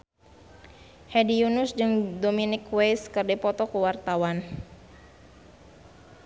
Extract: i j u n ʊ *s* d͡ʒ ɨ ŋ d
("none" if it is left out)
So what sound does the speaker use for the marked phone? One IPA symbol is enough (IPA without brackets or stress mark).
s